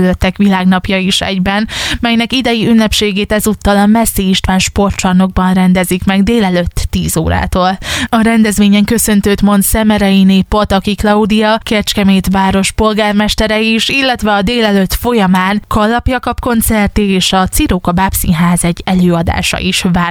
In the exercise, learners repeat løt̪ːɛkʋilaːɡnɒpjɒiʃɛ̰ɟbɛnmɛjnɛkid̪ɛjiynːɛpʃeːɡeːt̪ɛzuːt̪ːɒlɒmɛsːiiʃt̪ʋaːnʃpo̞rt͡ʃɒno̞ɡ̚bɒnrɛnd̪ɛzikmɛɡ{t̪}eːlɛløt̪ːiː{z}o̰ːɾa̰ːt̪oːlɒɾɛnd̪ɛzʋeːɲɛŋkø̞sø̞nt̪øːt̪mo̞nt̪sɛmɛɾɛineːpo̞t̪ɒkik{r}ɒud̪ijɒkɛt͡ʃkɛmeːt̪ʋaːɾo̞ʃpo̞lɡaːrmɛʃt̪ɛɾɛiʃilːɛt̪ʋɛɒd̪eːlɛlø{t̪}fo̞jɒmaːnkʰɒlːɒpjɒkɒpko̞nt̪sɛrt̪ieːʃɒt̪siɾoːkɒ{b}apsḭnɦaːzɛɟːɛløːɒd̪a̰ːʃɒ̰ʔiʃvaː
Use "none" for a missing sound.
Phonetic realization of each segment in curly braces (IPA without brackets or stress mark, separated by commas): d̪, z, l, t̪, b